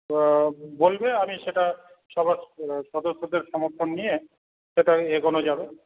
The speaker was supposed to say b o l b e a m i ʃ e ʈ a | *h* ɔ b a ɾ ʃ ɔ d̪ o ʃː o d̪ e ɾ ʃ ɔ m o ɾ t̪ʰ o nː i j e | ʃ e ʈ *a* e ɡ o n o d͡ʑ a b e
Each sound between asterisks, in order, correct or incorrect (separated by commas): incorrect, correct